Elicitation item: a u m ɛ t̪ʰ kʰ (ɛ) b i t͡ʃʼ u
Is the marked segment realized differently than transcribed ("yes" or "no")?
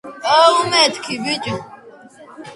yes